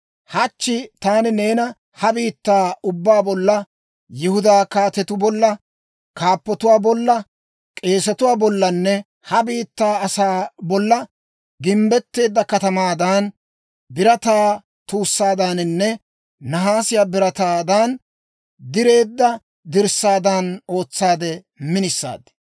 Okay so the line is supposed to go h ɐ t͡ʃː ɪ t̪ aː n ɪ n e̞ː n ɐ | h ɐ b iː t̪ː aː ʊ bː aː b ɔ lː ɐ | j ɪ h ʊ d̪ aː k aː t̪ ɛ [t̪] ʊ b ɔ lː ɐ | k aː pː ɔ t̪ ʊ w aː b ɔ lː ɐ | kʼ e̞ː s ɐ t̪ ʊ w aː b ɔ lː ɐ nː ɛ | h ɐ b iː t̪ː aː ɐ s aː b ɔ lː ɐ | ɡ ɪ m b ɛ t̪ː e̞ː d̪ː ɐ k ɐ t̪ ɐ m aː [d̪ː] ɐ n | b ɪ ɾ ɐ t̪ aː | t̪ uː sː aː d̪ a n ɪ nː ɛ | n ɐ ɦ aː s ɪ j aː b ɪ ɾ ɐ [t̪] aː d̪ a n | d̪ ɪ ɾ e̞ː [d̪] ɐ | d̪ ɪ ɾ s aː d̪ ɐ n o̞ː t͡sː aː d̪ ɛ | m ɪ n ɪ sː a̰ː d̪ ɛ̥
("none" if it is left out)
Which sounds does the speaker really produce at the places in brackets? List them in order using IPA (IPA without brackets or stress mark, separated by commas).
t̪, d̪, t̪, d̪ː